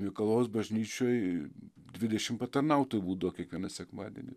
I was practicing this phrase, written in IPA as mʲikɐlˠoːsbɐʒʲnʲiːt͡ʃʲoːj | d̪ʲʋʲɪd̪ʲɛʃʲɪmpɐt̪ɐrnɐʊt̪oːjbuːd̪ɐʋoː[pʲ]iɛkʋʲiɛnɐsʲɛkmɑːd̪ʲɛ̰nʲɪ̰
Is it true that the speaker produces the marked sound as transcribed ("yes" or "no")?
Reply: no